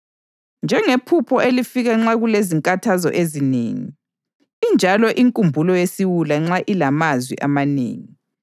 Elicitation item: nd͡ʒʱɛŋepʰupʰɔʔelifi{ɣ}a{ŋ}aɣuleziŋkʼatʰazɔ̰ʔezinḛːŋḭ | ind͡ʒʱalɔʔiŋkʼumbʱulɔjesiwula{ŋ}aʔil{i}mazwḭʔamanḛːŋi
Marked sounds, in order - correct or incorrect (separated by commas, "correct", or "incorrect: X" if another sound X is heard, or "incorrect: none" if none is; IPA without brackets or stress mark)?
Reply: correct, incorrect: ŋ͡ǁ, incorrect: ŋ͡ǁ, incorrect: a